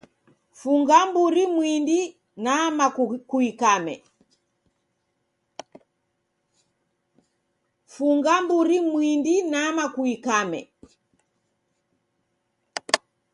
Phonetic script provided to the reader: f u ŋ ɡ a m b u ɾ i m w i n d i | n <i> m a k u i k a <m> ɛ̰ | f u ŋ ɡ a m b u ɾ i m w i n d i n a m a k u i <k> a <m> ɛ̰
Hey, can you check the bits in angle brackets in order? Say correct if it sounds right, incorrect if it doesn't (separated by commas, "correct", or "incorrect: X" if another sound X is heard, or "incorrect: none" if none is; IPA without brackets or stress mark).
incorrect: a, correct, correct, correct